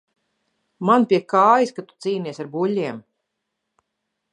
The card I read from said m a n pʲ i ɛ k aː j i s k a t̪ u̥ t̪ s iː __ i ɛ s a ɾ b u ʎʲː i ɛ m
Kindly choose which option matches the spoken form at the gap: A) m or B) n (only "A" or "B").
B